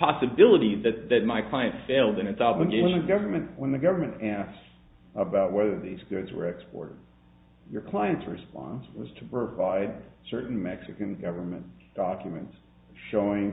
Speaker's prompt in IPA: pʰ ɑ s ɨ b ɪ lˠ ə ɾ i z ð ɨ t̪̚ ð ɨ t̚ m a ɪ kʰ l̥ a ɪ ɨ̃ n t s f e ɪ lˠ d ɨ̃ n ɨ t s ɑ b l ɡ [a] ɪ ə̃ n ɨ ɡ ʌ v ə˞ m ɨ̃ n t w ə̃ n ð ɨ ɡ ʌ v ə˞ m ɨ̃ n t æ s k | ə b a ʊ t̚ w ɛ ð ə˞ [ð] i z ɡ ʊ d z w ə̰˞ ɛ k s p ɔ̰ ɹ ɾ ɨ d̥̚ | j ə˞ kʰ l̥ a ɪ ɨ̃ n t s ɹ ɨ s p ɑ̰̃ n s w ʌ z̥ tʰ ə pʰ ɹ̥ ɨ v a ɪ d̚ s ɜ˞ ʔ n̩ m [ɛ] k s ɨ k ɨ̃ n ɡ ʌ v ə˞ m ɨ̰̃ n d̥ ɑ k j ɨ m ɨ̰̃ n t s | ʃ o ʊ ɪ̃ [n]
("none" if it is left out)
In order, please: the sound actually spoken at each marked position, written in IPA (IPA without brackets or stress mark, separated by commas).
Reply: e, ð, ɛ, ŋ